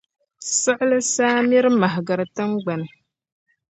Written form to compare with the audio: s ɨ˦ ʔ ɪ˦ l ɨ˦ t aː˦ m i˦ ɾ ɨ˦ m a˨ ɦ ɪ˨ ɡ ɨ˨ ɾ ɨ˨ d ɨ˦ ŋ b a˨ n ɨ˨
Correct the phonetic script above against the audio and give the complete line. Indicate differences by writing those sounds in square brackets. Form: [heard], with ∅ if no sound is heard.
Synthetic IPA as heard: s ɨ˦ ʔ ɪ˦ l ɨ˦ [s] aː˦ m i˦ ɾ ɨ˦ m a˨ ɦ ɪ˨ ɡ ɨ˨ ɾ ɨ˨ [t] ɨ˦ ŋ [ɡ͡b] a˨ n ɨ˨